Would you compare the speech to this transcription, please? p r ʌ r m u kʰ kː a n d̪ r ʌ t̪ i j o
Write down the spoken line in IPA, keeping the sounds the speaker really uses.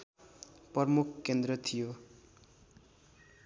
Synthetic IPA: p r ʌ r m u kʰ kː e n d̪ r ʌ t̪ʰ i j o